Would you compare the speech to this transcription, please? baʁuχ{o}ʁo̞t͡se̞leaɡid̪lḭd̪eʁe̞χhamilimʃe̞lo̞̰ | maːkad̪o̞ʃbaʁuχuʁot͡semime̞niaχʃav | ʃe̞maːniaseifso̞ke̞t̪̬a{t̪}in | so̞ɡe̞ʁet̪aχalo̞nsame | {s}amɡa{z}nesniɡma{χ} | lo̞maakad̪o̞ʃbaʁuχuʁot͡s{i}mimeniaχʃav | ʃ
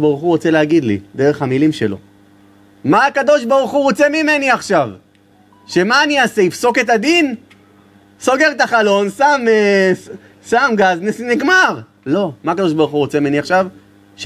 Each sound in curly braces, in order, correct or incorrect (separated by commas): incorrect, incorrect, correct, correct, incorrect, incorrect